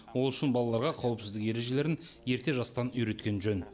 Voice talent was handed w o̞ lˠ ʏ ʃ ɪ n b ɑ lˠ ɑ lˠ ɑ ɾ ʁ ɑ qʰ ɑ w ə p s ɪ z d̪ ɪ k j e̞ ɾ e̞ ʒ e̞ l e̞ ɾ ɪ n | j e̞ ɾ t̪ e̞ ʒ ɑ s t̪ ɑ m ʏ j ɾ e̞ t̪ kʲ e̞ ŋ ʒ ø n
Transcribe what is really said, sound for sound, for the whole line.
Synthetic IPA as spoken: w o̞ lˠ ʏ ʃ ɪ n b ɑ lˠ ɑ lˠ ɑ ɾ ʁ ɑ qʰ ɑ w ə p s ɪ z d̪ ɪ k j e̞ ɾ e̞ ʒ e̞ l e̞ ɾ ɪ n | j e̞ ɾ t̪ e̞ ʒ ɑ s t̪ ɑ n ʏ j ɾ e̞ t̪ kʲ e̞ n ʒ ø n